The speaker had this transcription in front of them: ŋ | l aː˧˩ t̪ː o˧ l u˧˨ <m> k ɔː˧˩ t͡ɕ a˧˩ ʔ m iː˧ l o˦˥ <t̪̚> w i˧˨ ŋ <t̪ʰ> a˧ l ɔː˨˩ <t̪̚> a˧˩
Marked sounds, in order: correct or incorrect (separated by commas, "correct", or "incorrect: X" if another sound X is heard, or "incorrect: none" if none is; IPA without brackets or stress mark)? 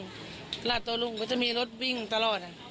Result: incorrect: ŋ, correct, incorrect: t̪, correct